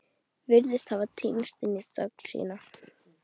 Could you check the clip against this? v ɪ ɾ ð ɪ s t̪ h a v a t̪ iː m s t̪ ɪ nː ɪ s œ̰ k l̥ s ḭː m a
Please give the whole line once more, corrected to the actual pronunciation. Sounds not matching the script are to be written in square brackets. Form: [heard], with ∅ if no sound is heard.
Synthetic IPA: v ɪ ɾ ð ɪ s t̪ h a v a [t̪ʰ] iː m s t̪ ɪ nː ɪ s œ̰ k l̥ s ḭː [n] a

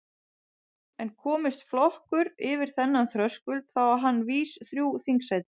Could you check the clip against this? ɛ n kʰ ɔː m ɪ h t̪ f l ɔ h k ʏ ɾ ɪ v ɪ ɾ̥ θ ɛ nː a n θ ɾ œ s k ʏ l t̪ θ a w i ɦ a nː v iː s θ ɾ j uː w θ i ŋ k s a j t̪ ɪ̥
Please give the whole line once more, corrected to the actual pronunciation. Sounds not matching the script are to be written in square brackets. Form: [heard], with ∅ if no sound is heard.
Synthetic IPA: ɛ n kʰ ɔː m ɪ [s] t̪ f l ɔ h k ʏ ɾ ɪ v ɪ ɾ̥ θ ɛ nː a n θ ɾ œ s k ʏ l t̪ θ a w [a] ɦ a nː v iː s θ ɾ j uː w θ i ŋ k s a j t̪ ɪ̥

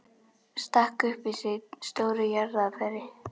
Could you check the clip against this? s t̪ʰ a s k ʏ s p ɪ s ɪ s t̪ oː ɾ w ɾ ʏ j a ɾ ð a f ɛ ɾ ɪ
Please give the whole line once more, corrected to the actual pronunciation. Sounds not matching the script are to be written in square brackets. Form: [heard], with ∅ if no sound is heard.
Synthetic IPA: s [t̪] a [h] k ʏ [h] p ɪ s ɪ s t̪ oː [∅] w ɾ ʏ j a ɾ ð a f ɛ ɾ ɪ

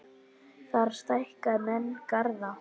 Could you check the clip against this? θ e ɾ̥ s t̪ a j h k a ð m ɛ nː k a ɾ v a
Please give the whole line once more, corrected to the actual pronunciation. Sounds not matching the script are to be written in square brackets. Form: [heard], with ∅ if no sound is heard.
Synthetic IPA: θ [a] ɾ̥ s t̪ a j h k a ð m ɛ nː k a ɾ [ð] a

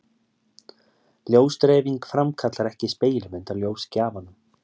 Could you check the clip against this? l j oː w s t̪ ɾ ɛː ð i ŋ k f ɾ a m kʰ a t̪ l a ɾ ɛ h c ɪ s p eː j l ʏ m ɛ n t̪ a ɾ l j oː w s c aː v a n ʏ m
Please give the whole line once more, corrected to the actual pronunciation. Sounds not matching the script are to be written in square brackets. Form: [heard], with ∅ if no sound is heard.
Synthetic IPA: l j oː w s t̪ ɾ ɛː [v] i ŋ k f ɾ a m kʰ a t̪ l a ɾ ɛ h c ɪ s p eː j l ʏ m ɛ n t̪ a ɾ l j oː w s c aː v a n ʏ m

